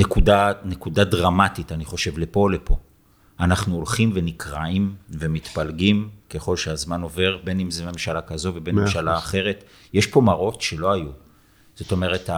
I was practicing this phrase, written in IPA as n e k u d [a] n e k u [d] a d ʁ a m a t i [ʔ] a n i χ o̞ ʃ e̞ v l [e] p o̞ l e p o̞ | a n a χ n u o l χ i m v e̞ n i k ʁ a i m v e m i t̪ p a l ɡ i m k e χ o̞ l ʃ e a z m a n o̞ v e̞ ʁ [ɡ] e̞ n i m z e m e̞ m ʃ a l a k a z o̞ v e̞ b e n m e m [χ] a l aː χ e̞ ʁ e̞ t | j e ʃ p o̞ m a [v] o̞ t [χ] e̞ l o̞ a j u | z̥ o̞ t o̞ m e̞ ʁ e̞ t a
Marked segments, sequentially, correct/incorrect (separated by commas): correct, correct, incorrect, correct, incorrect, incorrect, incorrect, incorrect